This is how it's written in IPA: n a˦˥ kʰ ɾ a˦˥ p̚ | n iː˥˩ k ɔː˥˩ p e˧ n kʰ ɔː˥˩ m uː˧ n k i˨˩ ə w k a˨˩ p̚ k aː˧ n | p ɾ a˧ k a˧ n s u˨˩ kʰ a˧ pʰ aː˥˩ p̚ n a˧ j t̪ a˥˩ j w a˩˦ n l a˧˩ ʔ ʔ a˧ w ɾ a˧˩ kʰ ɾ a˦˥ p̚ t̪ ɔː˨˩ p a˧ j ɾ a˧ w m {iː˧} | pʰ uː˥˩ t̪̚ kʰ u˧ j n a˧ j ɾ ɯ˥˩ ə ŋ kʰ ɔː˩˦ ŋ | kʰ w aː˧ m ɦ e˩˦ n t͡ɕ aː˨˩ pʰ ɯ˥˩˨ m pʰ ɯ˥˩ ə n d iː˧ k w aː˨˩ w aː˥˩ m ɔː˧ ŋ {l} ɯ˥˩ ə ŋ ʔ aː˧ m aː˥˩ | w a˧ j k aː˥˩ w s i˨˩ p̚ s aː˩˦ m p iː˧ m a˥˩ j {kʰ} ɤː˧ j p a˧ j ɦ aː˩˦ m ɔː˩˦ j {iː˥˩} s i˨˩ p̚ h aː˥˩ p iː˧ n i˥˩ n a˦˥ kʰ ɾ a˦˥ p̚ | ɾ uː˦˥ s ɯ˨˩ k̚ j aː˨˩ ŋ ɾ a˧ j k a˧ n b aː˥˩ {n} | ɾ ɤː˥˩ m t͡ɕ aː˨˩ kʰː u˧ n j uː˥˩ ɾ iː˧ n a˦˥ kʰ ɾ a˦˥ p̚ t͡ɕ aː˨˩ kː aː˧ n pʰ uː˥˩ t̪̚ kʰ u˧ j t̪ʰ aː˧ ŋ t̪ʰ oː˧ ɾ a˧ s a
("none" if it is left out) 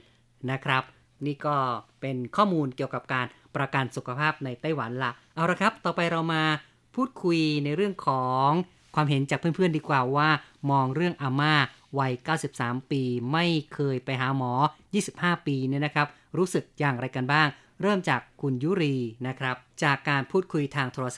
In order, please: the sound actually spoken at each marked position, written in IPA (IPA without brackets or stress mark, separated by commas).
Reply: aː˧, ɾ, kʰ, iː˥˩, ŋ